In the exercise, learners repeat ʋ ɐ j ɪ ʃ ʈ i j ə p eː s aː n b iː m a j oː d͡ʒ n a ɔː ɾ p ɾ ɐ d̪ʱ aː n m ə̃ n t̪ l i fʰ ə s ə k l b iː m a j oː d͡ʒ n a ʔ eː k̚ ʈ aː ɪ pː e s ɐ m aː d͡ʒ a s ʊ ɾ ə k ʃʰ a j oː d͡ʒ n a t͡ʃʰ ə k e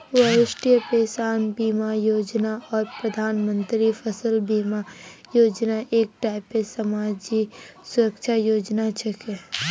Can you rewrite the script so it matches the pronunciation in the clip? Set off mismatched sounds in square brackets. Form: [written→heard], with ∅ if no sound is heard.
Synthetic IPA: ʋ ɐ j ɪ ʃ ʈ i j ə p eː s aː n b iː m a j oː d͡ʒ n a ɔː ɾ p ɾ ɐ d̪ʱ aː n m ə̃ n t̪ [l→ɾ] i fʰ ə s ə [k→∅] l b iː m a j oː d͡ʒ n a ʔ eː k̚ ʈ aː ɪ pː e s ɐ m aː d͡ʒ [a→i] s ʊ ɾ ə k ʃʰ a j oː d͡ʒ n a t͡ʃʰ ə k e